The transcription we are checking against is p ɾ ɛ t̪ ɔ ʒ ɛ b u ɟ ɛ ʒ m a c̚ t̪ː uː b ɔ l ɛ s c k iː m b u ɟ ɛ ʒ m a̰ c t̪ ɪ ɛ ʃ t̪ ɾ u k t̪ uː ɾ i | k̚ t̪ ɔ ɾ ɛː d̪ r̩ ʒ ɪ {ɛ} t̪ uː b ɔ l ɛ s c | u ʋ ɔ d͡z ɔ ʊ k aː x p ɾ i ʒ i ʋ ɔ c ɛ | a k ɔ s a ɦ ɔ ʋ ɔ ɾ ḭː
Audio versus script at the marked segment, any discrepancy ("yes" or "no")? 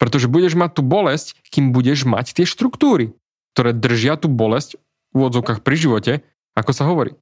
yes